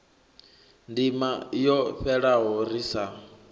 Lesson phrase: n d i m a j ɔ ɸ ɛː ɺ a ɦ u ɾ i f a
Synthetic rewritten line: n d i m a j ɔ ɸ ɛ ɺ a ɦ ɔ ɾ i s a